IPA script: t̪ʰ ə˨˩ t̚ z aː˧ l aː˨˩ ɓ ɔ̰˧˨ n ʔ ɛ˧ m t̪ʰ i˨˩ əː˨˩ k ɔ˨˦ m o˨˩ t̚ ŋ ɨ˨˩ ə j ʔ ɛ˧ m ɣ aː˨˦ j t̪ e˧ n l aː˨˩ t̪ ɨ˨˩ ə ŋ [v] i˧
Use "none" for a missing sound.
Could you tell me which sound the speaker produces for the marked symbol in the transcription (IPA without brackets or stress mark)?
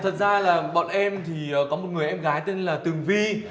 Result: v